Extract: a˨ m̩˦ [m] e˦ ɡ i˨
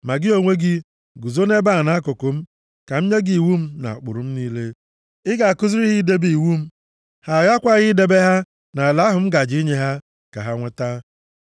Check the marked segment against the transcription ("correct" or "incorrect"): incorrect